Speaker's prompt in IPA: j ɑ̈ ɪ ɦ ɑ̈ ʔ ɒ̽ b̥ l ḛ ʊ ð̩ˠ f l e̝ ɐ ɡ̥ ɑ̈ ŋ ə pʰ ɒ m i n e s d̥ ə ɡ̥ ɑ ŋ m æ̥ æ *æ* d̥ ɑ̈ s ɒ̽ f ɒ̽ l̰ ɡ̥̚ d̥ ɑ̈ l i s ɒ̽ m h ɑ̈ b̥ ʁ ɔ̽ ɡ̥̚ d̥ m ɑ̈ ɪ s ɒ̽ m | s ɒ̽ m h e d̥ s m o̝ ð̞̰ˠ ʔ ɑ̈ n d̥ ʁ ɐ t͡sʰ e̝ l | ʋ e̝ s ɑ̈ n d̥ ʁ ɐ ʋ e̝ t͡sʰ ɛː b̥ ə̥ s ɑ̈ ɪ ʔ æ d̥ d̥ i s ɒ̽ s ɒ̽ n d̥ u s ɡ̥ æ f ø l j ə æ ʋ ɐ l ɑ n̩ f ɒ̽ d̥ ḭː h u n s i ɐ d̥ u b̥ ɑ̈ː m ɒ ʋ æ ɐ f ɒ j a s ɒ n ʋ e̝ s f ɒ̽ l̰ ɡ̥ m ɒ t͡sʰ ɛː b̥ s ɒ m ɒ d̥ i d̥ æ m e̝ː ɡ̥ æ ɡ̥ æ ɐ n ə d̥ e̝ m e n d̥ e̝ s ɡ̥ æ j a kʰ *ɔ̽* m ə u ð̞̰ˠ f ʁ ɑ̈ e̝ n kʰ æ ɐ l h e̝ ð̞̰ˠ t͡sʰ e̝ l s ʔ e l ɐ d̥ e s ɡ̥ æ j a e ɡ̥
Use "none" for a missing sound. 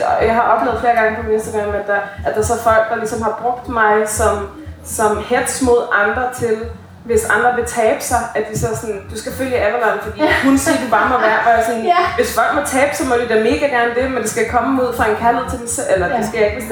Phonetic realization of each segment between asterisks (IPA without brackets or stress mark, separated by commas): æ, ɒ̽